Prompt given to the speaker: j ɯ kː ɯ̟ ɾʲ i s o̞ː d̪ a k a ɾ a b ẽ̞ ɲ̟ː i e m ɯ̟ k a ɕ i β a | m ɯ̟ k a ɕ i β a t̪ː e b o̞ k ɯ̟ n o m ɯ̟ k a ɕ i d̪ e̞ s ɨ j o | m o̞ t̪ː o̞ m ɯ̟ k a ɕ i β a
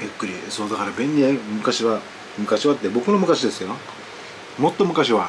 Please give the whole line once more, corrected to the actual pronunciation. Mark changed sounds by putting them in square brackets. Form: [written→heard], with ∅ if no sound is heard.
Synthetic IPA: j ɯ kː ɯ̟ ɾʲ i s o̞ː d̪ a k a ɾ a b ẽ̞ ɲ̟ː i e m ɯ̟ k a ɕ i β a | m ɯ̟ k a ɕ i β a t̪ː e b o̞ k ɯ̟ n o m ɯ̟ k a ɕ i d̪ e̞ s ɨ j o | m o̞ t̪ː o̞ m ɯ̟ k a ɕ i β a